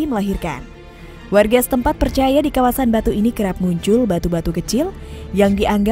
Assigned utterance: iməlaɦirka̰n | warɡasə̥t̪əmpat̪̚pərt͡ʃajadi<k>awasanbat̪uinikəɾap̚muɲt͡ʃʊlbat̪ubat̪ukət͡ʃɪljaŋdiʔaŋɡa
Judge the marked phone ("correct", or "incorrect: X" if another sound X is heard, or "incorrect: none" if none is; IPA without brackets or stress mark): correct